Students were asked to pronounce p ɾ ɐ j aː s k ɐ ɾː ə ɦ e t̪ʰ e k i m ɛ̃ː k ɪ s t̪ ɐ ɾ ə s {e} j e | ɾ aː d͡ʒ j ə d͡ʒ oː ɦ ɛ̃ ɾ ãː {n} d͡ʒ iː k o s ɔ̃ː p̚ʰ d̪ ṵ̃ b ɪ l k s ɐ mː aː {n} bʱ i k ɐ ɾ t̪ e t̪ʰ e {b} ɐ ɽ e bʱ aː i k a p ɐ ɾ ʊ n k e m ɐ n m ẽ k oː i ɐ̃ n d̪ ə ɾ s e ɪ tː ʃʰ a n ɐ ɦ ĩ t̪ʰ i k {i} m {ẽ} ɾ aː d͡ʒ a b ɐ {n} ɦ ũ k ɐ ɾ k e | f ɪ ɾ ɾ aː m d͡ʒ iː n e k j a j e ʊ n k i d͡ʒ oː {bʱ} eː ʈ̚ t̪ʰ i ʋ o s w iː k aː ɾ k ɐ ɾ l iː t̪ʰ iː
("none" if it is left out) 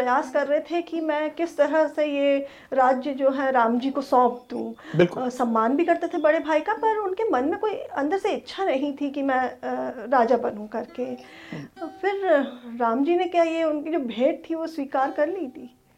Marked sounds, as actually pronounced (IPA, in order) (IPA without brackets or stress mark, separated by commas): e, m, n, b, i, ɛ̃, n, bʱ